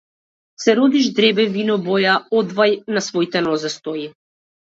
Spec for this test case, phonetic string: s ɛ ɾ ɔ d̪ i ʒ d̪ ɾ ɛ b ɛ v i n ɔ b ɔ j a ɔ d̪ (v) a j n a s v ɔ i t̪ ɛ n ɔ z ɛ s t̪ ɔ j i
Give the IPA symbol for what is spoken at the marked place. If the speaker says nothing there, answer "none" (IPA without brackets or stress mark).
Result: v